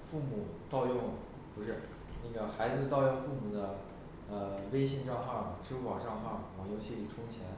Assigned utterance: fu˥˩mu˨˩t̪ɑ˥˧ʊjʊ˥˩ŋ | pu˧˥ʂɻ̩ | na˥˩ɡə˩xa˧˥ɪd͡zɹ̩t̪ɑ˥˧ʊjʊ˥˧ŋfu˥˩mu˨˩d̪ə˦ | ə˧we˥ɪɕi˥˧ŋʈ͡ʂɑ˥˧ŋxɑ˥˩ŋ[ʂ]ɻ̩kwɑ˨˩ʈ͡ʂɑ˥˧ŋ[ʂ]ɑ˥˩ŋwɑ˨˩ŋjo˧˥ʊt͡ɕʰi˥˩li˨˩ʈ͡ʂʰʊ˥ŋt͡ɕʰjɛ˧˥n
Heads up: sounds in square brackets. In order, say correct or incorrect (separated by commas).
incorrect, incorrect